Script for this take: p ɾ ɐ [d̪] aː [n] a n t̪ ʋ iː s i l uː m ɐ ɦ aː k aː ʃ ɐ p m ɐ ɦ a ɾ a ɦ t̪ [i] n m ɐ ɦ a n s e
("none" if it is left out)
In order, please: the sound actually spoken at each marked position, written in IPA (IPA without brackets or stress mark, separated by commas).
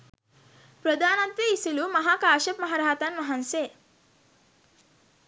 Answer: d̪, n, a